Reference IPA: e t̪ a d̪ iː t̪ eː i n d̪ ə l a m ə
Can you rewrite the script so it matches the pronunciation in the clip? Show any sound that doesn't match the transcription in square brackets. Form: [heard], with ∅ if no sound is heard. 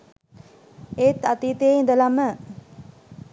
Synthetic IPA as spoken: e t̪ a [t̪] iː t̪ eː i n d̪ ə l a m ə